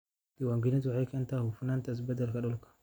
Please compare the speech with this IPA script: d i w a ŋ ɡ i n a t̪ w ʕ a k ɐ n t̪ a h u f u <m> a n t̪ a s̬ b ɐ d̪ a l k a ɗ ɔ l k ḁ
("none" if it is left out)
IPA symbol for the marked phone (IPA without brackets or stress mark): n